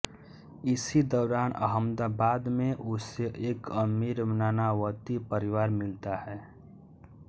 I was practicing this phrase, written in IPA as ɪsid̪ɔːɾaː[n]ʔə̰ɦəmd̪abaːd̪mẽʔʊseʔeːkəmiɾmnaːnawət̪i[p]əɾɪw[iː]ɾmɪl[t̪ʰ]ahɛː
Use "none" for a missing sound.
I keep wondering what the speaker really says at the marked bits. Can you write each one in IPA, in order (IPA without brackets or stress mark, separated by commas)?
n, p, aː, t̪